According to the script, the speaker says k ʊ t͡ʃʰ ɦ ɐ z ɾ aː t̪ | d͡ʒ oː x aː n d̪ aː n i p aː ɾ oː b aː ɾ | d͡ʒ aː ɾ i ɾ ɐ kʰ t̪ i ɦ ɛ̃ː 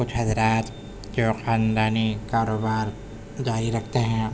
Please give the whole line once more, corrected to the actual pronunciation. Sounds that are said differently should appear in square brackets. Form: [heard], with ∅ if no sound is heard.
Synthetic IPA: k ʊ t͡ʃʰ ɦ ɐ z ɾ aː t̪ | d͡ʒ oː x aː n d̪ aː n i [k] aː ɾ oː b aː ɾ | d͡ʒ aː ɾ i ɾ ɐ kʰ t̪ [e] ɦ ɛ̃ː